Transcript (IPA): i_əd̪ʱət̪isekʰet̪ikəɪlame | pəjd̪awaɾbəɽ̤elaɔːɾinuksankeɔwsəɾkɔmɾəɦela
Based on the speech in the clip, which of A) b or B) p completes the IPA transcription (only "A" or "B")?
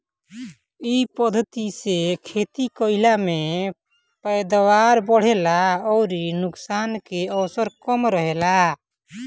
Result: B